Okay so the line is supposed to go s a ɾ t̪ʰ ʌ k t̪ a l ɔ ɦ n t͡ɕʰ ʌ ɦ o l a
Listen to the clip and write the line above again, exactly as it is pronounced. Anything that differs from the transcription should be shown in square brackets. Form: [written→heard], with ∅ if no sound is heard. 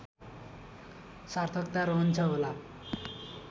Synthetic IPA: s a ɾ t̪ʰ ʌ k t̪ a [l→ɾ] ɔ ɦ n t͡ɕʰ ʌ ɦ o l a